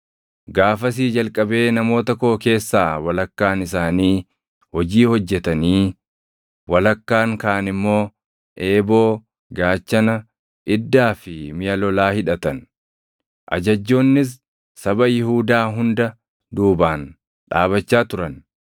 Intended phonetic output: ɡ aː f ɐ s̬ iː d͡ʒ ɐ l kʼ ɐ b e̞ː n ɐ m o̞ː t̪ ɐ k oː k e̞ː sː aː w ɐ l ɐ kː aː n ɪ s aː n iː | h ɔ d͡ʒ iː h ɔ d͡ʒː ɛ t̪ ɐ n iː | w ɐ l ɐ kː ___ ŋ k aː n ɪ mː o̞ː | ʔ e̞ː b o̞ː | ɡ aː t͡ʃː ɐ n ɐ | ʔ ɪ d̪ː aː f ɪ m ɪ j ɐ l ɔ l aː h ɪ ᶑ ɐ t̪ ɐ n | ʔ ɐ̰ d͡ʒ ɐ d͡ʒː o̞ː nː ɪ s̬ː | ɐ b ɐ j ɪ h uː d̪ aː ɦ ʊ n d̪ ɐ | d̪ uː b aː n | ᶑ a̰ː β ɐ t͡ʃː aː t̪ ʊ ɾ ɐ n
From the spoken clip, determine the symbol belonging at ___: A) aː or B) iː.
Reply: A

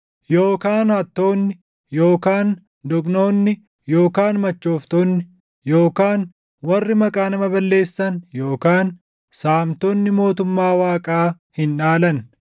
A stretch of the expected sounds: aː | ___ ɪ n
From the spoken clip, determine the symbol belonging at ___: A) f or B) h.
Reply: B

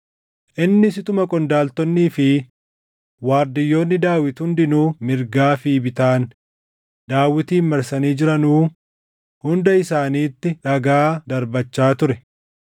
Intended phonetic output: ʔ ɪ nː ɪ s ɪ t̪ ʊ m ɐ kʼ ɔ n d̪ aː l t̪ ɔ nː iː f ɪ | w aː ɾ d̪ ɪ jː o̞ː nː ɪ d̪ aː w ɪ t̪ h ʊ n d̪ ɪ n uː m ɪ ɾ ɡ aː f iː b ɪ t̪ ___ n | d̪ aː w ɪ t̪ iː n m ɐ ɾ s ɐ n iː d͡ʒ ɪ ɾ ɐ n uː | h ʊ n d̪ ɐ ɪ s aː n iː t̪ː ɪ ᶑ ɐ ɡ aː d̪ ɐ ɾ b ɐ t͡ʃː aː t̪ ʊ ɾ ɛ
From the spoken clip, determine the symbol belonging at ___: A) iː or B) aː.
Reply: B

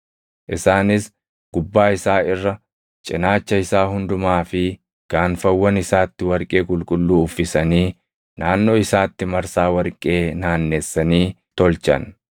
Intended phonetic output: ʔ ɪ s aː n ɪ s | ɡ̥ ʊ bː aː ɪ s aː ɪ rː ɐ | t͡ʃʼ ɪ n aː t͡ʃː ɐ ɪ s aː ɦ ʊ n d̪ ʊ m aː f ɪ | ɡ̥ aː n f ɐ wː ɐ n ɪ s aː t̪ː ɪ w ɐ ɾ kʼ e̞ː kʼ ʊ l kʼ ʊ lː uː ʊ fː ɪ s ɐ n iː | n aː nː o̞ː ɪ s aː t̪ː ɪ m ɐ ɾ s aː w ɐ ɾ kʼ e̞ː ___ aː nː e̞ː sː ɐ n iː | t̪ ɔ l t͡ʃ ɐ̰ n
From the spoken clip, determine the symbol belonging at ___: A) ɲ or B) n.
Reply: B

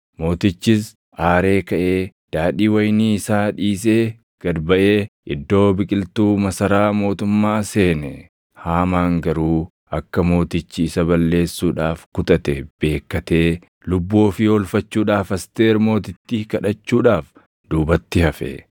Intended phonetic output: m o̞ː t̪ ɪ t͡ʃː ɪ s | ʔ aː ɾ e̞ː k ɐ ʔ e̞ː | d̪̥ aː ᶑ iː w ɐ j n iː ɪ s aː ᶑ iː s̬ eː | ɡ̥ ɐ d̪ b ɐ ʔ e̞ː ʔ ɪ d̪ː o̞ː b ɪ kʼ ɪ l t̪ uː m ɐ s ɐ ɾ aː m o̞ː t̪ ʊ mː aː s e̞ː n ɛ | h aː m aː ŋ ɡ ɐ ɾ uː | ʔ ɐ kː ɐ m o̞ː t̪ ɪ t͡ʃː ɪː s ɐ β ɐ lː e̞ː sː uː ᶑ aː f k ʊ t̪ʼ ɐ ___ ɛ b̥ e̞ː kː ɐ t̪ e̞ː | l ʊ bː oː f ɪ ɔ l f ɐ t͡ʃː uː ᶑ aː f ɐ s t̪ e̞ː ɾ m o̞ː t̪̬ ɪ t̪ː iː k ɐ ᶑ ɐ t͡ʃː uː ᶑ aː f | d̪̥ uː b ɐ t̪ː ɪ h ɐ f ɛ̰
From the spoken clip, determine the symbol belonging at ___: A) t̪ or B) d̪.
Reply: A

